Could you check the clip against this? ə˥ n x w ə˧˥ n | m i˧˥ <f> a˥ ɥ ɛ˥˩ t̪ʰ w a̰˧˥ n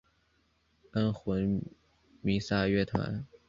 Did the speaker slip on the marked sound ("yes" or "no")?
yes